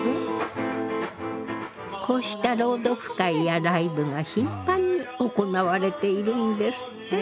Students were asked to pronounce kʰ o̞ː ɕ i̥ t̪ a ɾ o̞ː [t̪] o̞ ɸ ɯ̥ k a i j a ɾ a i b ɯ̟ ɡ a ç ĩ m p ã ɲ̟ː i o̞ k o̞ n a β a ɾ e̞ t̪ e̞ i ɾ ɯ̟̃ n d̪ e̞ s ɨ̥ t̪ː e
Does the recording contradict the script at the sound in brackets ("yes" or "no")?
yes